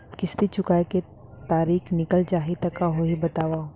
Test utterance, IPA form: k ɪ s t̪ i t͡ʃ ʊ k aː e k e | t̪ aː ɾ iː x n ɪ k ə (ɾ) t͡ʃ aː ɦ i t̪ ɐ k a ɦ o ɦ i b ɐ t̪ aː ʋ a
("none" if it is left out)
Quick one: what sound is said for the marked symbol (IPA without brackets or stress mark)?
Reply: l